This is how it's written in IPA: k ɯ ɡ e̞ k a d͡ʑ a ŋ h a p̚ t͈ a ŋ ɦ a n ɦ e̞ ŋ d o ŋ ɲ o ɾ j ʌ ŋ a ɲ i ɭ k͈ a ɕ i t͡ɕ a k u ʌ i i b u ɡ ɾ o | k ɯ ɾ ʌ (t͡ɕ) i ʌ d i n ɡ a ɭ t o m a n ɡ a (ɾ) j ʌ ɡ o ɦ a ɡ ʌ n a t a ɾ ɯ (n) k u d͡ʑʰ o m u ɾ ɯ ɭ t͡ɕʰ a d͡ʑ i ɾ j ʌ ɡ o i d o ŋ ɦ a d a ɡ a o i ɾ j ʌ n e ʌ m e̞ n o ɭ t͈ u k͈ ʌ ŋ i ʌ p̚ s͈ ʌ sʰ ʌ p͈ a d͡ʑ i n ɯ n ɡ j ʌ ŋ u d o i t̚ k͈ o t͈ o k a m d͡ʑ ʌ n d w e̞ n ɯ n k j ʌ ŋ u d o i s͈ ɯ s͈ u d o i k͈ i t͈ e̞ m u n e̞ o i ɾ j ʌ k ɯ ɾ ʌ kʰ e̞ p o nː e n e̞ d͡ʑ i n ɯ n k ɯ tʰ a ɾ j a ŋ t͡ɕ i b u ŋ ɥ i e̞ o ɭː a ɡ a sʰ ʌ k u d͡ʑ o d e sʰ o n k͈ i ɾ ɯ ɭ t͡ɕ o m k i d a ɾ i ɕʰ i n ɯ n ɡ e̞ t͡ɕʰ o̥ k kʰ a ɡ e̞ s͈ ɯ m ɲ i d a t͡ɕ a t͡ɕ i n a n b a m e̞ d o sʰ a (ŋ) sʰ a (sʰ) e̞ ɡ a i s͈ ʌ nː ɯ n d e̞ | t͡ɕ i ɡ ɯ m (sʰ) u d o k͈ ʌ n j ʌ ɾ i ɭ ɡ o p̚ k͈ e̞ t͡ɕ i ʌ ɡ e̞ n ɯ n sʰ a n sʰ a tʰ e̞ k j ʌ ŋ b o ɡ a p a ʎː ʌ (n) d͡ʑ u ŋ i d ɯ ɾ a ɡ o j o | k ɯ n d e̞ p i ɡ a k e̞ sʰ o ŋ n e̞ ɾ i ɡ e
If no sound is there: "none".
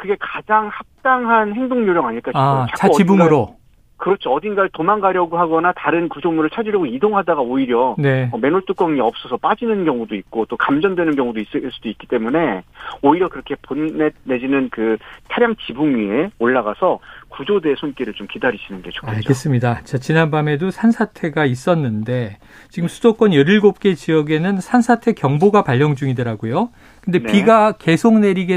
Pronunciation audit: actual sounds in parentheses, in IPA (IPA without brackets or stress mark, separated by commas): t͡ɕʰ, ɾ, n, n, tʰ, sʰ, ŋ